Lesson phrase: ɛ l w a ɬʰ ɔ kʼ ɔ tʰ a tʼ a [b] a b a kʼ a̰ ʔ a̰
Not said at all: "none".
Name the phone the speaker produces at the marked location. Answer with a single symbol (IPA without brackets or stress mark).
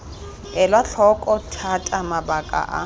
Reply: m